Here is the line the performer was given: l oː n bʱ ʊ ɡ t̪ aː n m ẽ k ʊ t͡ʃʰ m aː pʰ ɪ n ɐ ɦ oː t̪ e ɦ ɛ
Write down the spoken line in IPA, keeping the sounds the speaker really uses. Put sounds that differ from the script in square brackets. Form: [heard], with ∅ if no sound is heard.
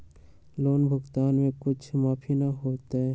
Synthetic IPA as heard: l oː n bʱ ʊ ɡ t̪ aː n m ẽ k ʊ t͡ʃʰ m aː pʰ [i] n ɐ ɦ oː t̪ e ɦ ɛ